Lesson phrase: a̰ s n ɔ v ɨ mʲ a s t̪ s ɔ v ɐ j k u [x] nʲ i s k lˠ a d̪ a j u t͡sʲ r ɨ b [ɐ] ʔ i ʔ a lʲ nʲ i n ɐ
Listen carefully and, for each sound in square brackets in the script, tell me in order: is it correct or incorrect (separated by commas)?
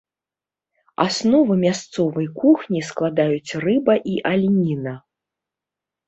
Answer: correct, correct